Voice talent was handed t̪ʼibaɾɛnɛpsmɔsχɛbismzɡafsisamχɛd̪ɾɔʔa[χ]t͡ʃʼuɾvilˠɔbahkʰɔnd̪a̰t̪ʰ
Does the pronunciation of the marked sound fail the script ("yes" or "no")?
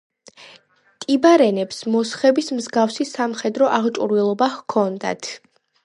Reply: yes